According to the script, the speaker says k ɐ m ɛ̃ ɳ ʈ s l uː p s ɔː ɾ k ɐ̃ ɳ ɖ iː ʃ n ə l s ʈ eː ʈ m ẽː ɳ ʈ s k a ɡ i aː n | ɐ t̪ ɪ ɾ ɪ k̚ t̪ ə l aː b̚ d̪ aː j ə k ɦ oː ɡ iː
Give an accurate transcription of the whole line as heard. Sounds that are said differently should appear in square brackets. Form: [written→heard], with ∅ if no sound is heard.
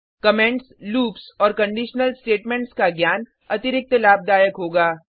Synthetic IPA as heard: k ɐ m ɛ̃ ɳ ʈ s l uː p s ɔː ɾ k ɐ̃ ɳ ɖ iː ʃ n ə l s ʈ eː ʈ m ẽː ɳ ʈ s k a ɡ [i→j] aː n | ɐ t̪ ɪ ɾ ɪ k̚ t̪ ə l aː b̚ d̪ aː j ə k ɦ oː ɡ [iː→aː]

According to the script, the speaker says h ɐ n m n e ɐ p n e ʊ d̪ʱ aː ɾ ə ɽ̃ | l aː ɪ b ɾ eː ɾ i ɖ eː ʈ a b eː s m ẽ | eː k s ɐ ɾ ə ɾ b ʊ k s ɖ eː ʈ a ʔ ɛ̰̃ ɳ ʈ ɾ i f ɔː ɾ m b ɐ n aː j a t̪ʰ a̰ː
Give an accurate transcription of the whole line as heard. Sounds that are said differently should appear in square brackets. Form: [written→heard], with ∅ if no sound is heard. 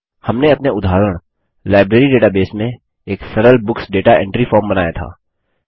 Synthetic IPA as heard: h ɐ [n→∅] m n e ɐ p n e ʊ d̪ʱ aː ɾ ə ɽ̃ | l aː ɪ b ɾ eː ɾ i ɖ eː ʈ a b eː s m ẽ | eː k s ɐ ɾ ə [ɾ→l] b ʊ k s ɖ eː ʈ a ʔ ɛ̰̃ ɳ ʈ ɾ i f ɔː ɾ m b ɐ n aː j a t̪ʰ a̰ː

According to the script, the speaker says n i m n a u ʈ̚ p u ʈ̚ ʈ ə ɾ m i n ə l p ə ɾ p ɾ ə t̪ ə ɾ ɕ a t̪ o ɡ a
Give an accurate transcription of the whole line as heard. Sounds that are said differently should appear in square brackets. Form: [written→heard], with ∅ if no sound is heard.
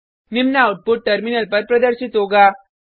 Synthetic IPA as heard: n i m n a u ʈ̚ p u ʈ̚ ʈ ə ɾ m i n ə l p ə ɾ p ɾ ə [t̪→d̪] ə ɾ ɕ [a→i] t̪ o ɡ a

